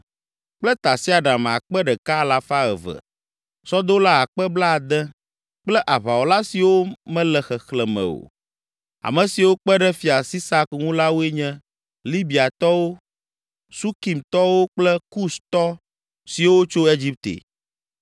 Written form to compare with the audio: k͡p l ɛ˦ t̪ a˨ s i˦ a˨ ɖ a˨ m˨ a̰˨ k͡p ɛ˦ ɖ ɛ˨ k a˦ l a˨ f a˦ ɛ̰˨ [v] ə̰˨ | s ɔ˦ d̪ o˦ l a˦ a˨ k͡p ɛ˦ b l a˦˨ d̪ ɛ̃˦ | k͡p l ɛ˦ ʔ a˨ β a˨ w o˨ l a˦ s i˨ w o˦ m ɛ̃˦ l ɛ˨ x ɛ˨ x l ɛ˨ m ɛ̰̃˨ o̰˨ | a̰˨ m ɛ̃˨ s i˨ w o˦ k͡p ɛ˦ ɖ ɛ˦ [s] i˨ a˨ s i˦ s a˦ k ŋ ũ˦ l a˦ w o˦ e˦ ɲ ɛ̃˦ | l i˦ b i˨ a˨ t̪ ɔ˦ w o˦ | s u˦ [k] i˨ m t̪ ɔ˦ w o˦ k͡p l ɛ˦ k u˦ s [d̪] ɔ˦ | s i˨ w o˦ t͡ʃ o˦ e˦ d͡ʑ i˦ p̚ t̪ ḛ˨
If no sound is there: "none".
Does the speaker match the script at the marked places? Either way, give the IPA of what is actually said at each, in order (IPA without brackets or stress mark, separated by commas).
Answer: v, f, k, t̪